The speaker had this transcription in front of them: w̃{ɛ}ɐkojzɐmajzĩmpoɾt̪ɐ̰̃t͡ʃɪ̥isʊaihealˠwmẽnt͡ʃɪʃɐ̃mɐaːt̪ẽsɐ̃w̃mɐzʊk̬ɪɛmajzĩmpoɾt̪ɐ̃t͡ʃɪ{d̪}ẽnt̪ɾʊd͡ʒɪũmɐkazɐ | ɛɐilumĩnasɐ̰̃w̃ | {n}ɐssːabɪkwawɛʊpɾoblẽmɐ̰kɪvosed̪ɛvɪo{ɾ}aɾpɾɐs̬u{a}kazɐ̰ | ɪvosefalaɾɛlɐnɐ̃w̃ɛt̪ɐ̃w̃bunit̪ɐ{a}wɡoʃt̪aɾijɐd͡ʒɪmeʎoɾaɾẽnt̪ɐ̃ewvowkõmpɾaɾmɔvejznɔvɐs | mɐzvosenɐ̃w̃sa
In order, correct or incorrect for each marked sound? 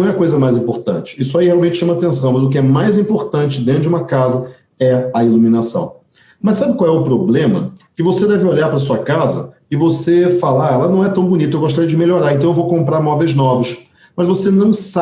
correct, correct, incorrect: m, incorrect: ʎ, incorrect: ɐ, incorrect: e

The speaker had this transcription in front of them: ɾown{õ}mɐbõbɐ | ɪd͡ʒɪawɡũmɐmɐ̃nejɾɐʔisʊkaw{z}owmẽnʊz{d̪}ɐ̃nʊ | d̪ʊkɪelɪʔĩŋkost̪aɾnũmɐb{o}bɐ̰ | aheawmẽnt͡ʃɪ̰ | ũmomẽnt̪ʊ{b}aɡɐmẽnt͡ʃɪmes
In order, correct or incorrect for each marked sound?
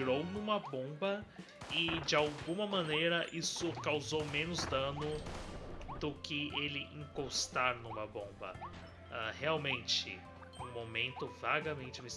incorrect: ũ, correct, correct, incorrect: õ, incorrect: v

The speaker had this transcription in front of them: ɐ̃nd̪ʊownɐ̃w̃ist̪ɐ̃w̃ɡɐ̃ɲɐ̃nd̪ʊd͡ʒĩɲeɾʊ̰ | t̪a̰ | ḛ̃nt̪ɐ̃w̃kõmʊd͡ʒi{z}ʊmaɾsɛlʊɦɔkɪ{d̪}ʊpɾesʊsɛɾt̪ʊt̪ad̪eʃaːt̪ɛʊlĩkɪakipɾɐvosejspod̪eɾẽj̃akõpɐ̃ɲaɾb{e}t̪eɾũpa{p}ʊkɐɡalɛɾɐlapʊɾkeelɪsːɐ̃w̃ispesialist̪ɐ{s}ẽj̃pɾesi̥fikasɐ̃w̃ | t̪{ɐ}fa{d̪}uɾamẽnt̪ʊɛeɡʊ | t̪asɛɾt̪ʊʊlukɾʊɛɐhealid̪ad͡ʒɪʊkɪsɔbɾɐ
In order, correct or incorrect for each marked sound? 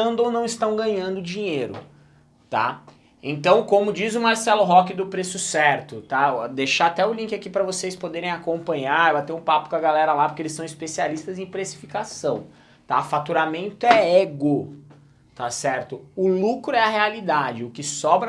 correct, correct, incorrect: a, correct, incorrect: z, incorrect: a, incorrect: t̪

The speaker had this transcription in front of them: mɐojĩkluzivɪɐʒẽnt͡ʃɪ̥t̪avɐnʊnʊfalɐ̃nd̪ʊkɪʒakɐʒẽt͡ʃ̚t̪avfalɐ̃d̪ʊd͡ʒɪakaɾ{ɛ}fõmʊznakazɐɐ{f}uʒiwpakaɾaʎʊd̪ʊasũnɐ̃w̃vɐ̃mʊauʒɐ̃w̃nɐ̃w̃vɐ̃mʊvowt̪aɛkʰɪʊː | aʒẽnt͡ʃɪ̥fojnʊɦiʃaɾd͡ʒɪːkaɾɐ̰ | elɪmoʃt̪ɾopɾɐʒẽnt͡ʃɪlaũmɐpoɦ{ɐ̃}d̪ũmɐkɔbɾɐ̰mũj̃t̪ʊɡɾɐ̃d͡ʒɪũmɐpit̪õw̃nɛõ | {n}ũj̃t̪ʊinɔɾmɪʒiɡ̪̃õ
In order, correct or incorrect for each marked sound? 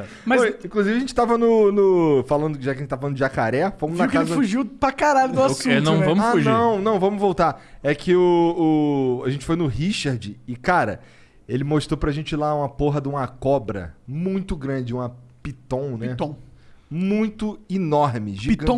correct, correct, incorrect: ɐ, incorrect: m

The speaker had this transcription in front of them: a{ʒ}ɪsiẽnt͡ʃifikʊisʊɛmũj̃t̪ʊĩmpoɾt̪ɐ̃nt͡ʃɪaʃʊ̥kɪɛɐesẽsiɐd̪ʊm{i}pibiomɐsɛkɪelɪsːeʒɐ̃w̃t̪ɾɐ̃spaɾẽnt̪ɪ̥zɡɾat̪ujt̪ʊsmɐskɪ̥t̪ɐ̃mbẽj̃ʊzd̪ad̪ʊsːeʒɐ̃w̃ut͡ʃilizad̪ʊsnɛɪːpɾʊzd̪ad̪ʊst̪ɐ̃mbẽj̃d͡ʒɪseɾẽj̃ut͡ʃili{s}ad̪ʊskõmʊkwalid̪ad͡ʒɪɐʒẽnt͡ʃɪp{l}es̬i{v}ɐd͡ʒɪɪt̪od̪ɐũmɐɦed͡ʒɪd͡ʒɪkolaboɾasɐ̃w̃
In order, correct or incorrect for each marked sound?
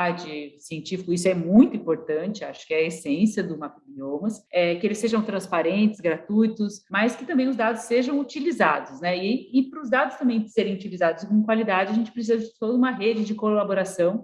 incorrect: d͡ʒ, incorrect: a, incorrect: z, incorrect: ɾ, incorrect: z

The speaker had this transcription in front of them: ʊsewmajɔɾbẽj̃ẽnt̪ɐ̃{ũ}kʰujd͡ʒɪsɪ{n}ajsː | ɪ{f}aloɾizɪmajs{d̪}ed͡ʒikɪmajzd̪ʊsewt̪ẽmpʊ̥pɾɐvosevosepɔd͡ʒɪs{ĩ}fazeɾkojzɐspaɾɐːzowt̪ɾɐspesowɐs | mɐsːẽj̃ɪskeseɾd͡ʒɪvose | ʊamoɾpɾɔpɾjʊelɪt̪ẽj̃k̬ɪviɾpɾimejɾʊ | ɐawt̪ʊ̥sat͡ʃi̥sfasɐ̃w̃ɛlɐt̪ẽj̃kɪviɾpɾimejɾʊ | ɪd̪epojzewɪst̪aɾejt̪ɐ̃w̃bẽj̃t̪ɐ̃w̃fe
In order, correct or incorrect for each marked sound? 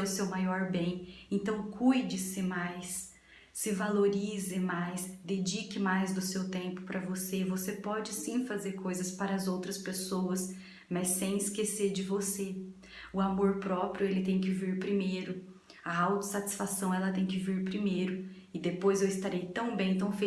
incorrect: w̃, incorrect: m, incorrect: v, correct, correct

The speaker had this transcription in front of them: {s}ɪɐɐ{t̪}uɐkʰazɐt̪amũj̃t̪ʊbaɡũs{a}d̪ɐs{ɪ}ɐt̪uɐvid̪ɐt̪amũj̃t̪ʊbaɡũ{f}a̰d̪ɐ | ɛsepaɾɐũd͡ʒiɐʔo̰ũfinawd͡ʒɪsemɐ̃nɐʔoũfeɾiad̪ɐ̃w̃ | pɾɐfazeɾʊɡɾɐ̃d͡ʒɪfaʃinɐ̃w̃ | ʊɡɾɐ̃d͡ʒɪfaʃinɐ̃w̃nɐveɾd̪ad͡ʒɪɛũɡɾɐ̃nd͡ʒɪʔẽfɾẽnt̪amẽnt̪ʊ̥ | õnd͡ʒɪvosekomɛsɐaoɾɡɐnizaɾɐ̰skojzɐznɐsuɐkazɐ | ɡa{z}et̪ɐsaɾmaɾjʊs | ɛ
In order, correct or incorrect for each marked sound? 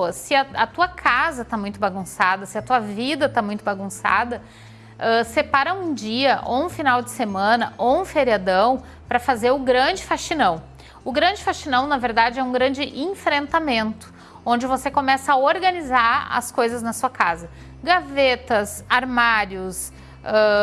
correct, correct, correct, correct, incorrect: s, incorrect: v

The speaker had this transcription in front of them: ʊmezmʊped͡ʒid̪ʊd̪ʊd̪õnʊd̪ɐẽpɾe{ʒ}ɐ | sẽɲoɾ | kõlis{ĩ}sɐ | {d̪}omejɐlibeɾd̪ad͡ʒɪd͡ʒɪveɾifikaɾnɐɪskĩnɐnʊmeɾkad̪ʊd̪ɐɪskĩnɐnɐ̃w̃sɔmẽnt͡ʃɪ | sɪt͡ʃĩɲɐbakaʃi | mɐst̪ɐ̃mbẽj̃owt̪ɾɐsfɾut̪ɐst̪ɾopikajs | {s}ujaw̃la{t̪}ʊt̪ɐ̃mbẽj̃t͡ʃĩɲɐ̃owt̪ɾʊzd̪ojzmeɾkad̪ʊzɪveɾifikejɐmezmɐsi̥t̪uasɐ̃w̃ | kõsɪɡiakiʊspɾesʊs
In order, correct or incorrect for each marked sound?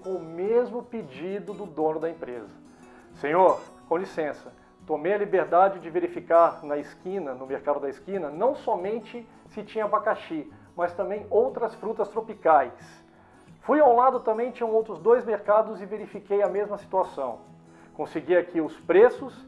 incorrect: z, incorrect: ẽ, incorrect: t̪, incorrect: f, incorrect: d̪

